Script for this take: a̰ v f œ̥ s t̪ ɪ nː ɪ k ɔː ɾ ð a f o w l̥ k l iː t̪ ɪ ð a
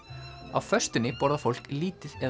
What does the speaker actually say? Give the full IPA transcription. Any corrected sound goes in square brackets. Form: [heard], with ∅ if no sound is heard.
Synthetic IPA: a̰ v f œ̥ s t̪ ɪ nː ɪ [p] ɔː ɾ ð a f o w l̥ k l iː t̪ ɪ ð [ɛ]